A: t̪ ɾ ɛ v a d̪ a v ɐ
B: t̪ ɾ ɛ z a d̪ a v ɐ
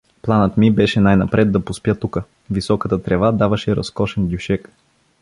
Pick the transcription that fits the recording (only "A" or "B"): A